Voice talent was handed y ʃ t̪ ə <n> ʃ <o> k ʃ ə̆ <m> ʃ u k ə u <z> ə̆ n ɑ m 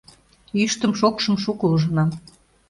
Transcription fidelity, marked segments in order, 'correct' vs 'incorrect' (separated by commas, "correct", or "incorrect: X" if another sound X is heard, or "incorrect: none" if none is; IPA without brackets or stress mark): incorrect: m, correct, correct, incorrect: ʒ